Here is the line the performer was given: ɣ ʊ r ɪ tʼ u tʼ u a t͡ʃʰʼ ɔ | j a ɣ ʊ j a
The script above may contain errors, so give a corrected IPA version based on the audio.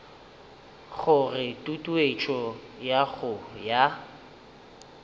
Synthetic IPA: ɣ ʊ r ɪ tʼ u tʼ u e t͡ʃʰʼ ɔ | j a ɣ ʊ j a